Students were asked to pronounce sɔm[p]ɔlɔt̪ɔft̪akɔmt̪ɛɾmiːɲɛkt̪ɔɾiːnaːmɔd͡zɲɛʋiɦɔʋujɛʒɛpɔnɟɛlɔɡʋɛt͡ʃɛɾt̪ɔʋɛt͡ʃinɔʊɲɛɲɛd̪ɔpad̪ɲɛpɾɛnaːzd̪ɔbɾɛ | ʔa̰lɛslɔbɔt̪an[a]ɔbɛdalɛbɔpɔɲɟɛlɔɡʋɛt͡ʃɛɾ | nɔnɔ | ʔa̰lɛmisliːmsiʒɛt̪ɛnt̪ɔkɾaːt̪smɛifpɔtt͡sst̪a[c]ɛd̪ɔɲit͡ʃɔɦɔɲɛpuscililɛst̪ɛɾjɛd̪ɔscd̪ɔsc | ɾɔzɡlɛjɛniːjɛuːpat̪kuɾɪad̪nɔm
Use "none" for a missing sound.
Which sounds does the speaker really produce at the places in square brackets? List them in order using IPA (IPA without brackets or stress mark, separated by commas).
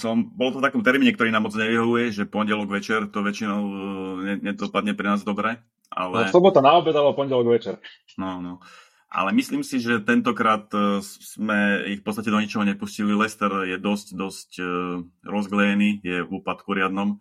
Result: b, a, c